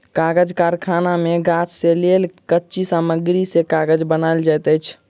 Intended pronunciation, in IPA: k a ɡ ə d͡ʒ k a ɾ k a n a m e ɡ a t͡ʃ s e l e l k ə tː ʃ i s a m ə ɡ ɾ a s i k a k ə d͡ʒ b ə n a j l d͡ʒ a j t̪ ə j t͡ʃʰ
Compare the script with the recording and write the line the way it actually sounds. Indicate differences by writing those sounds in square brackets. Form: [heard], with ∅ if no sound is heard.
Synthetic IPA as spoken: k a ɡ ə d͡ʒ k a ɾ [kʰ] a n a m e ɡ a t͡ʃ s e l e l k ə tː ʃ i s a m ə ɡ ɾ [i] s [e] k a [ɡ] ə d͡ʒ b ə n a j l d͡ʒ a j t̪ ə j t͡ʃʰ